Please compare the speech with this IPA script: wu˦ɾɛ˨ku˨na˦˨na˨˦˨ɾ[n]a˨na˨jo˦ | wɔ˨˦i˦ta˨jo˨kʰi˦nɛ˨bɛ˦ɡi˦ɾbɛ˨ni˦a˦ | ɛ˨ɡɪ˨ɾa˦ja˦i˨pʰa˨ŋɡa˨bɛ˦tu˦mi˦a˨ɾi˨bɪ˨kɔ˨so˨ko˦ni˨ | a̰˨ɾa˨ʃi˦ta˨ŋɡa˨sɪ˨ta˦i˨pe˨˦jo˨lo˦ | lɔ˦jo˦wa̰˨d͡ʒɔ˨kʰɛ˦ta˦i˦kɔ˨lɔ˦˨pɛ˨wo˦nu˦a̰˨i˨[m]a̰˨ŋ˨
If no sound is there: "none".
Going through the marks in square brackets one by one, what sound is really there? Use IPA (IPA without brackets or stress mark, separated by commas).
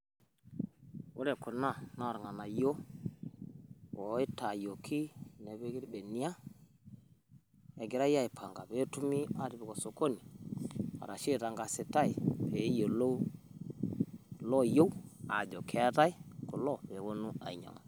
ŋ, ɲ